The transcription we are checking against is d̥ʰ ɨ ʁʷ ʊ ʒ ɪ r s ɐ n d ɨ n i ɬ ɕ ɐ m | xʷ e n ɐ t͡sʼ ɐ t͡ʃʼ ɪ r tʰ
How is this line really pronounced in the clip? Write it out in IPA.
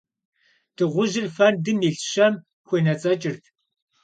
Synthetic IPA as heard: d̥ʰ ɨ ʁʷ ʊ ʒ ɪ r f ɐ n d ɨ m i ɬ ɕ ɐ m | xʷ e n ɐ t͡sʼ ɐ t͡ʃʼ ɪ r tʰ